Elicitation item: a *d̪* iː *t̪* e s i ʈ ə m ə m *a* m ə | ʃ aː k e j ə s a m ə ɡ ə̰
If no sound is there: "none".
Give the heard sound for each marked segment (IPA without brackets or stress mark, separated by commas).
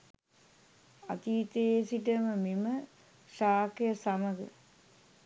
t̪, t̪, i